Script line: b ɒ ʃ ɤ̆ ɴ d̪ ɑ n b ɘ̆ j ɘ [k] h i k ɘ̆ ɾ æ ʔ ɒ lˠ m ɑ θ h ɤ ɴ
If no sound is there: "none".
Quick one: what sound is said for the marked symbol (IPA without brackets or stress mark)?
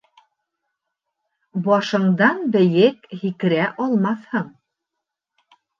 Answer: k